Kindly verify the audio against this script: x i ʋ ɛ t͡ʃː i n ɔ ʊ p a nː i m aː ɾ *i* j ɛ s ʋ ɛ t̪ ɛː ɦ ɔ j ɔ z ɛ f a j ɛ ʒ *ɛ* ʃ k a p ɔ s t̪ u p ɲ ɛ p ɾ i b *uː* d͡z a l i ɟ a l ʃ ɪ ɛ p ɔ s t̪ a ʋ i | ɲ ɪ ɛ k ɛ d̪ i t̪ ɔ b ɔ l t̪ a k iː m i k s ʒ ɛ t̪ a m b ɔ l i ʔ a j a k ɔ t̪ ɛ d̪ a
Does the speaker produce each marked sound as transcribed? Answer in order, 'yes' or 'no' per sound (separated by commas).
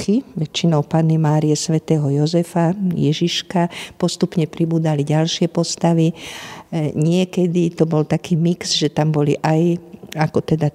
yes, no, yes